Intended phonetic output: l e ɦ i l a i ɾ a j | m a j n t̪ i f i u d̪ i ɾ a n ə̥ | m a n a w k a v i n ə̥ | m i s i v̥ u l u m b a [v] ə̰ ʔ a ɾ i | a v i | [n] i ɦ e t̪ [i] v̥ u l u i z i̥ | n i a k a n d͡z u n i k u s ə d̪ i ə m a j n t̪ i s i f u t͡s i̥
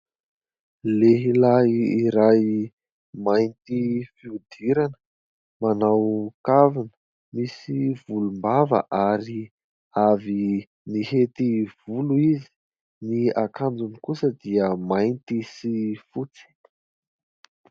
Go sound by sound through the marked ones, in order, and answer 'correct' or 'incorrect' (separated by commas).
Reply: correct, correct, correct